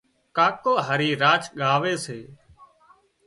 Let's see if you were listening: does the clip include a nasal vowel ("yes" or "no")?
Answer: no